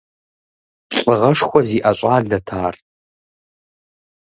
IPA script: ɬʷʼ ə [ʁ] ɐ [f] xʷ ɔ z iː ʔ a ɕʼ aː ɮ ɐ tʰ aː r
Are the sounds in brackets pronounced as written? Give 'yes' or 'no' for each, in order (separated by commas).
yes, no